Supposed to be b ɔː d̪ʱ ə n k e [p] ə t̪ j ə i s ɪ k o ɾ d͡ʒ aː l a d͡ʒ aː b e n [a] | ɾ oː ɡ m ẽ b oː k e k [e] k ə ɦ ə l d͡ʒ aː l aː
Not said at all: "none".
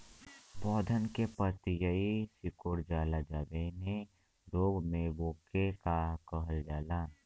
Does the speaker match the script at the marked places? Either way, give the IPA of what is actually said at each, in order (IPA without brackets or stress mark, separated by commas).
p, e, a